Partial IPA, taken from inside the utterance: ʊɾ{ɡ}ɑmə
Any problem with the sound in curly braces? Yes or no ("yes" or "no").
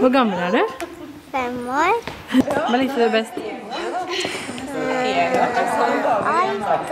no